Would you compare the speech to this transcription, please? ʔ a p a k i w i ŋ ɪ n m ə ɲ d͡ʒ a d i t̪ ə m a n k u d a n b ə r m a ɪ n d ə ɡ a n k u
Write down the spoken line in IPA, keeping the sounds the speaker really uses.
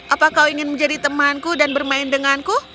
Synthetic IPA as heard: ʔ a p a k a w i ŋ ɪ n m ə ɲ d͡ʒ a d i t̪ ə m a n k u d a n b ə r m a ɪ n d ə ŋ a n k u